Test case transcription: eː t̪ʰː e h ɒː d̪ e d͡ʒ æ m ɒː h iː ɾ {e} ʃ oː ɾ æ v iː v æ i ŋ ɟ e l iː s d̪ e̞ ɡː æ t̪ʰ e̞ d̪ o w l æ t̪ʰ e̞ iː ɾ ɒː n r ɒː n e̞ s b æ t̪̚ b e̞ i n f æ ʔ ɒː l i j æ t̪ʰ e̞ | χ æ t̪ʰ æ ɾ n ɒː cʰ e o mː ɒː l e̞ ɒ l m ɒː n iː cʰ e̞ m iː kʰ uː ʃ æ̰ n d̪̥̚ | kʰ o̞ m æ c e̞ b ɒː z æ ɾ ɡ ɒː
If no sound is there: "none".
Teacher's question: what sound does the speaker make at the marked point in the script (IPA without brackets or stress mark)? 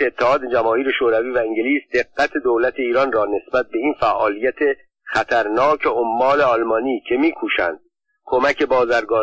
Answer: e